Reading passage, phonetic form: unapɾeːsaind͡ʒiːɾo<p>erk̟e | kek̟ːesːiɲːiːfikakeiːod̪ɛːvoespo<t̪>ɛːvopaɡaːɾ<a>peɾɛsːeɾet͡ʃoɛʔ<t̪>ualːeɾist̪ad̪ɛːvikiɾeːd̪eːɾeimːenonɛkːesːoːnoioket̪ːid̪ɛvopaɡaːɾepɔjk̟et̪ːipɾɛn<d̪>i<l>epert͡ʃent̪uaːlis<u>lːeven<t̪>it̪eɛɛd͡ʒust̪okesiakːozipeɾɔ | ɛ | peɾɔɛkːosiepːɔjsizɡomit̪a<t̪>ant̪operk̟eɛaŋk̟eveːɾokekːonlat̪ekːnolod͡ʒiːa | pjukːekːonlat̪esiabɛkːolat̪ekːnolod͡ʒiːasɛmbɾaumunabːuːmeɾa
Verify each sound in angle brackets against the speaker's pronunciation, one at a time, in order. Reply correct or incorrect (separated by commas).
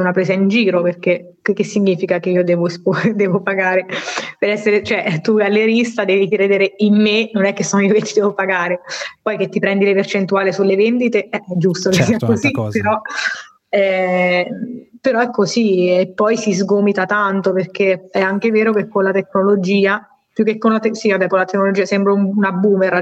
correct, incorrect, incorrect, correct, correct, correct, correct, incorrect, correct